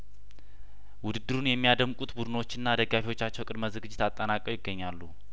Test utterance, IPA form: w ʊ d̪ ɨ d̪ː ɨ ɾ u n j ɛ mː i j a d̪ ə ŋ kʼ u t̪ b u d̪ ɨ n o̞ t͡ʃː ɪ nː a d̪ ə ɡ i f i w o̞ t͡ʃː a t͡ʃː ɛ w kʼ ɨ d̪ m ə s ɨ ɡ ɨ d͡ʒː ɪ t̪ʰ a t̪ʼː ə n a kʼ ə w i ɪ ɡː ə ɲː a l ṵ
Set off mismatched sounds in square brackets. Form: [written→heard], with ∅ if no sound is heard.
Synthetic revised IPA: w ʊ d̪ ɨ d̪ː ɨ ɾ u n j ɛ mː i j a d̪ ə [ŋ→m] kʼ u t̪ b u d̪ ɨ n o̞ t͡ʃː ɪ nː a d̪ ə ɡ [i→a] f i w o̞ t͡ʃː a t͡ʃː ɛ w kʼ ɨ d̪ m ə [s→z] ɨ ɡ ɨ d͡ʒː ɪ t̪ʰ a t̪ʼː ə n a kʼ ə w [i→j] ɪ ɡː ə ɲː a [l→lː] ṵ